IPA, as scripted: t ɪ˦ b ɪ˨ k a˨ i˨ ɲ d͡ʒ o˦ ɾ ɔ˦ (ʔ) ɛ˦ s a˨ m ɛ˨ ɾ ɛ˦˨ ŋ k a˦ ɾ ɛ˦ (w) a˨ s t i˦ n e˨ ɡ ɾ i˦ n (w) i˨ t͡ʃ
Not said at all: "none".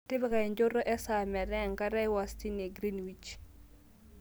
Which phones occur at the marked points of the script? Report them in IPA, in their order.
ʔ, w, w

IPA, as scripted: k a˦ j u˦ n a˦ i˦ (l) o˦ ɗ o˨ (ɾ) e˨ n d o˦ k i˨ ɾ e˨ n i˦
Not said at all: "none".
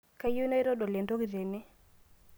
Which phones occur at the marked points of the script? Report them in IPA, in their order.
ɾ, l

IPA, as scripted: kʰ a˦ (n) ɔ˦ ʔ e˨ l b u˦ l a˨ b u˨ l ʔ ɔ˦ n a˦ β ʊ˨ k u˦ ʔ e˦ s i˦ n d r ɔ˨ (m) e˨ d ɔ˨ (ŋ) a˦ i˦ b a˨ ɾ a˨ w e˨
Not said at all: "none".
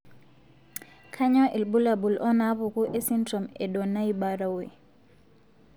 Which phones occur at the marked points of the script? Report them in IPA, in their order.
ɲ, m, n

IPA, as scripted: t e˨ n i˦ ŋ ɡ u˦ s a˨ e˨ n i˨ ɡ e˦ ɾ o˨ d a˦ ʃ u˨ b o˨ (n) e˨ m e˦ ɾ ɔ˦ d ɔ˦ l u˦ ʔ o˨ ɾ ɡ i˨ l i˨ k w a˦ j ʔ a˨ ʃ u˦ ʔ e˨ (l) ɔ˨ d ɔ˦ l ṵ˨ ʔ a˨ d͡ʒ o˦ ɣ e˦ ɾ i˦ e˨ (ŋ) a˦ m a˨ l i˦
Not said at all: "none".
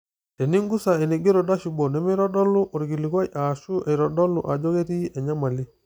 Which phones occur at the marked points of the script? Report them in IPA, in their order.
n, ɾ, ɲ

